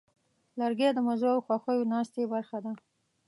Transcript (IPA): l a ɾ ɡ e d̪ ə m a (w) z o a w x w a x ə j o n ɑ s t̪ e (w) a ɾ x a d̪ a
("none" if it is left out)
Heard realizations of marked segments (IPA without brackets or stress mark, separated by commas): none, b